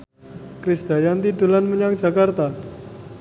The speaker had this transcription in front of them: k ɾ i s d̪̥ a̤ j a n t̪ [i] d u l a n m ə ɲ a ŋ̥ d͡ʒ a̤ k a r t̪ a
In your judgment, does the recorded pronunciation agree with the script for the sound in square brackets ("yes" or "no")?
yes